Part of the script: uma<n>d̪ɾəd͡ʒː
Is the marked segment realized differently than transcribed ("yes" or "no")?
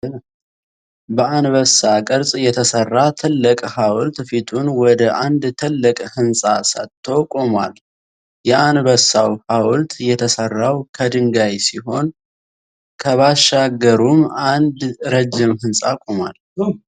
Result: no